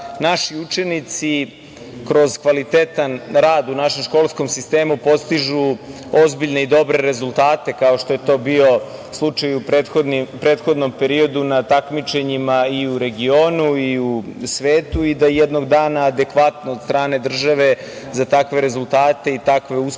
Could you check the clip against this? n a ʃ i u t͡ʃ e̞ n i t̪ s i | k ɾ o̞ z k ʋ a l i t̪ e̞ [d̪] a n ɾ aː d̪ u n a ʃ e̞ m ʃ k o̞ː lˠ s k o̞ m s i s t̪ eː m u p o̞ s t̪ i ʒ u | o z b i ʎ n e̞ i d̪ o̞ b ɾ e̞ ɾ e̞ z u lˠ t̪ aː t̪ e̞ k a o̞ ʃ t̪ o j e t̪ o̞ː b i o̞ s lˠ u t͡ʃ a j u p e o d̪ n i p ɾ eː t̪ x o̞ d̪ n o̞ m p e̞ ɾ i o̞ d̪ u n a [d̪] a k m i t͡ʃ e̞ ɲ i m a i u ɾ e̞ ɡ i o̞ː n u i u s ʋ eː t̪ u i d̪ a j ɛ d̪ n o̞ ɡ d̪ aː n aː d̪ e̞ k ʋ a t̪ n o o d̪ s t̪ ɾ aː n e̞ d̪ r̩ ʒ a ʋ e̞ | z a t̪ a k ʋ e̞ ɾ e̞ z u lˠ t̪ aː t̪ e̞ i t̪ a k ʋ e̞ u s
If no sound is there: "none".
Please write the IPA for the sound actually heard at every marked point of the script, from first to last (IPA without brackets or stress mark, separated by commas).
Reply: t̪, t̪